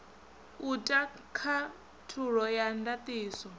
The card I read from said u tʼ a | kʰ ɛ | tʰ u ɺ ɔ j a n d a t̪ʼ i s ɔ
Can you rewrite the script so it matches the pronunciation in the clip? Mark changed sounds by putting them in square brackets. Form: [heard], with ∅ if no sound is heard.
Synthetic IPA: u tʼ a | kʰ [a] | tʰ u ɺ ɔ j a n d a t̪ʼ [iː] s ɔ